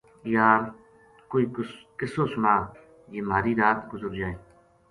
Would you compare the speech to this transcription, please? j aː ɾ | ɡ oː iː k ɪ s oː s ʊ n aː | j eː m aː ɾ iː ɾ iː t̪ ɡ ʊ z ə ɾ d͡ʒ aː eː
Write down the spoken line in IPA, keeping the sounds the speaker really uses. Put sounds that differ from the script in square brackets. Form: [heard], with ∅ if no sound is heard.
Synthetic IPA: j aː ɾ | [k] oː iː k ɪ s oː s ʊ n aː | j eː m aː ɾ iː ɾ [aː] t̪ ɡ ʊ z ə ɾ d͡ʒ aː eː